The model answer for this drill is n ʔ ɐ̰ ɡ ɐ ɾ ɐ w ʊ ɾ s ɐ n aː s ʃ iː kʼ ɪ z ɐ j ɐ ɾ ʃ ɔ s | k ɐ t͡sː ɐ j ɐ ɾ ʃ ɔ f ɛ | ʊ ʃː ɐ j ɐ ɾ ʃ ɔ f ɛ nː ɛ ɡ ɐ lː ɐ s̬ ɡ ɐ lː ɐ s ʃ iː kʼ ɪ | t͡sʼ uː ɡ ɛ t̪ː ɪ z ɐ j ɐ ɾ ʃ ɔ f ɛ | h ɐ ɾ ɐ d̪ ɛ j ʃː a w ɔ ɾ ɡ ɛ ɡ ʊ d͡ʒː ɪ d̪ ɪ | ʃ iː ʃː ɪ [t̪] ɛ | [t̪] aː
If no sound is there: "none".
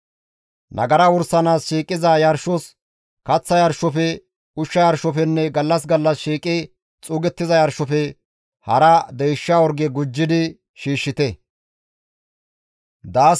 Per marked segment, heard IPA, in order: t̪, d̪

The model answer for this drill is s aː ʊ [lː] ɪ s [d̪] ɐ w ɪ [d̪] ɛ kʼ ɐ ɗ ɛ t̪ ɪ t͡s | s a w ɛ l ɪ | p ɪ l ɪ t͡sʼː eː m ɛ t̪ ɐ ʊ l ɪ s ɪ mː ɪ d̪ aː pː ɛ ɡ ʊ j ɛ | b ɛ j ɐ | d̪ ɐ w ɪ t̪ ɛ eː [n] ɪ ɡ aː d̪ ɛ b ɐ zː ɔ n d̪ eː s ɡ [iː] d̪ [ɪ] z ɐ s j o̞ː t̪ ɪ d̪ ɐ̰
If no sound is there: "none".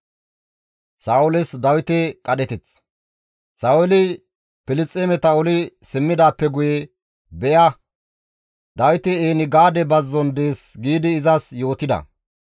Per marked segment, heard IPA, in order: l, d̪, t̪, n, iː, ɪː

